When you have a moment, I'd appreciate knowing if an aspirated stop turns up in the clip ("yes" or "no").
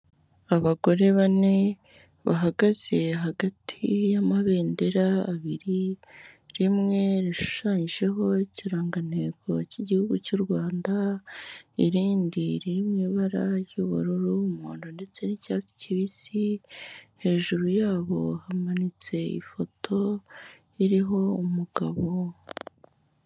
yes